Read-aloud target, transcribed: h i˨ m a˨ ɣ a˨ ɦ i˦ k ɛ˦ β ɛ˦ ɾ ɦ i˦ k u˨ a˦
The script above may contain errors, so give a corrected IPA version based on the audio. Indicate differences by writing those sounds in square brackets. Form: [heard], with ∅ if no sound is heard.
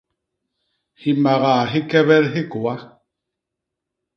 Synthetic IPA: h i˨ m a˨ ɣ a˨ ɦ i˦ k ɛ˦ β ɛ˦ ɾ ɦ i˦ k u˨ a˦